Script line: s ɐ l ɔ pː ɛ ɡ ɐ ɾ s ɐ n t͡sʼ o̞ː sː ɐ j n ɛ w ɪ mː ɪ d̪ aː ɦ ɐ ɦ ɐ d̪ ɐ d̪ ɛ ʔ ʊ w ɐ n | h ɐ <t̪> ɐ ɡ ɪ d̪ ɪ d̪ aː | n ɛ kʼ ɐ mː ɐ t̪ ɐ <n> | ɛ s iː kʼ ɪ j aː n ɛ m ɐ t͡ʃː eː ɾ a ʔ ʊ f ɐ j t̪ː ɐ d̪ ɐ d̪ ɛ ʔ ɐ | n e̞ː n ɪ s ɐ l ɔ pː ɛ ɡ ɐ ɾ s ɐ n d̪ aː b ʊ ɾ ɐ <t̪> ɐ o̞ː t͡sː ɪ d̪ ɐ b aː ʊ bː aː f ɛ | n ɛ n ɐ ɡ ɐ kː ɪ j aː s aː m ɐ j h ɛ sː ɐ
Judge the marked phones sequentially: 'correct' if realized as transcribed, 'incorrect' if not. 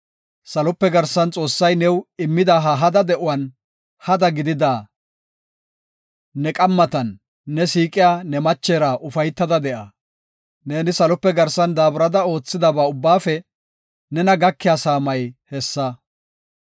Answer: incorrect: d̪, incorrect: nː, incorrect: d̪

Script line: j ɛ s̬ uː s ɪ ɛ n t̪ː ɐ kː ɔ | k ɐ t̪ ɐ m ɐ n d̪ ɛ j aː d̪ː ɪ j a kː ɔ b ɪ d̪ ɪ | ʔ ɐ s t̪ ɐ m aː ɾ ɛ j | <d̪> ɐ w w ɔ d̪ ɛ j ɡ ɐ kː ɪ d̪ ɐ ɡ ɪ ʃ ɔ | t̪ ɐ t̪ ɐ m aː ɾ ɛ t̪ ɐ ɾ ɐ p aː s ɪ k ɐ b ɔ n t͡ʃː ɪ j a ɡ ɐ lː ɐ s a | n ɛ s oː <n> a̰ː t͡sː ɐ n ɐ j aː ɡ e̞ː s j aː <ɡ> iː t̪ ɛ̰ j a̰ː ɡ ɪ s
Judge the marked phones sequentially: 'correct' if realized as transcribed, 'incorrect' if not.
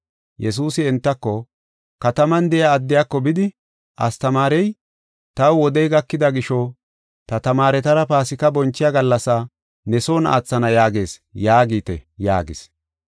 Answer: incorrect: t̪, correct, correct

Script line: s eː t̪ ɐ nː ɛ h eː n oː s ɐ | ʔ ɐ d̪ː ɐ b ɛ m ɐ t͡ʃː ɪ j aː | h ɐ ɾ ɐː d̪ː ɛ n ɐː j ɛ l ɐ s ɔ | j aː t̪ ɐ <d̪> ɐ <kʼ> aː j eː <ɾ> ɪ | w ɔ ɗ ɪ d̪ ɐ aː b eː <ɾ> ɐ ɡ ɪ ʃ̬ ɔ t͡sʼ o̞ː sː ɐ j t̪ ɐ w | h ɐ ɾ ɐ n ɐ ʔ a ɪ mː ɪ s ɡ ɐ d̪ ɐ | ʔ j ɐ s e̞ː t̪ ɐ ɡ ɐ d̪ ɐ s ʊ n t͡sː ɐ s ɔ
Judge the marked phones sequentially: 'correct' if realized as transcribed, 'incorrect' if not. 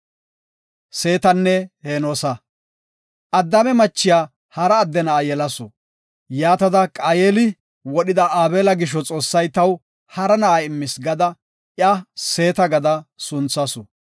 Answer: correct, correct, incorrect: l, incorrect: l

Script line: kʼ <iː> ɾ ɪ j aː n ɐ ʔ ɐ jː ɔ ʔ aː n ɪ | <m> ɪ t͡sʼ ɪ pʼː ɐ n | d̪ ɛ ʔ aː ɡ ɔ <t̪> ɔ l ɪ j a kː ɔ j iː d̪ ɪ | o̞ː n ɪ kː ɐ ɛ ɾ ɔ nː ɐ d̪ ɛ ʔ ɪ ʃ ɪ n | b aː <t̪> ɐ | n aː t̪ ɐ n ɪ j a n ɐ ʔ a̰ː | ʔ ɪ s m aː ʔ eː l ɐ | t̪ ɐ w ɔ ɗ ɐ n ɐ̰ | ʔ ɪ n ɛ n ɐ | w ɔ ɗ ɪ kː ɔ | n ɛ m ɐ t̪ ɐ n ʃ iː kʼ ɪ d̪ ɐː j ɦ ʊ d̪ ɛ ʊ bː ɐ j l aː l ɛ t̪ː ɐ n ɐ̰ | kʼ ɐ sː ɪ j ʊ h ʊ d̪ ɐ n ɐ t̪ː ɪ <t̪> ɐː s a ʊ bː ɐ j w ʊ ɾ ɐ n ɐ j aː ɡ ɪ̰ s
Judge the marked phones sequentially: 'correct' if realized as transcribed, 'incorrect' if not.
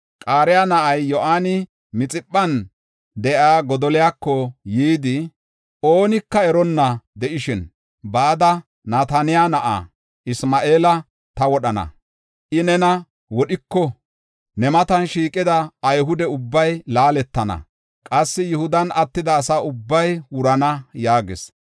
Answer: incorrect: aː, correct, incorrect: d̪, incorrect: d̪, incorrect: d̪

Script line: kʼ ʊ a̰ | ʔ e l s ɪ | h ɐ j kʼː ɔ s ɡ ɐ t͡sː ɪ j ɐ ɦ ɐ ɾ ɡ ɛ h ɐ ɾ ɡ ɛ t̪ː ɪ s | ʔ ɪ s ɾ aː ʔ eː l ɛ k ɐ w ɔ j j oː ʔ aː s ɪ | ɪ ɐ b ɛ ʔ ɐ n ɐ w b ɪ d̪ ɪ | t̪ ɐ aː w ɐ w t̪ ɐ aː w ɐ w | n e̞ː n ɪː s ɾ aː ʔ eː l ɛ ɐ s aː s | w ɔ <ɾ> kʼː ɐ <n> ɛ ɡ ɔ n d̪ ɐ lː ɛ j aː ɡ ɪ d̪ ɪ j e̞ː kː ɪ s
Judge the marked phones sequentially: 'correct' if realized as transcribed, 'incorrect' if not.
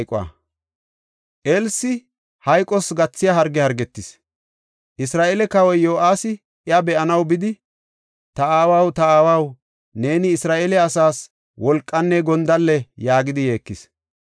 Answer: incorrect: l, incorrect: nː

